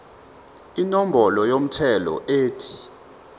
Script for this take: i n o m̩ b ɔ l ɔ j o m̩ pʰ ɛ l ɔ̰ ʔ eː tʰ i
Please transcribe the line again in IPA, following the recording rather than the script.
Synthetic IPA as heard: i n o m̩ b ɔ l ɔ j o m̩ tʰ ɛ l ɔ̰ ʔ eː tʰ i